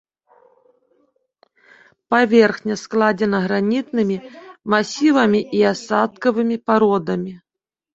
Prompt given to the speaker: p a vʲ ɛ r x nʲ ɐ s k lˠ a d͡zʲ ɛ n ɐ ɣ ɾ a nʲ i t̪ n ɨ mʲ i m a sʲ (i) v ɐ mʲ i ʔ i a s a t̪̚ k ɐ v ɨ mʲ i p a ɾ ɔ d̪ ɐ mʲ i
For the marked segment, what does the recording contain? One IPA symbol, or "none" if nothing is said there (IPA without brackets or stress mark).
i